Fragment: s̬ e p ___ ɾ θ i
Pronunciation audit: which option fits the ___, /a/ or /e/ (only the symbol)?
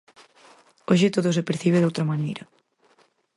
e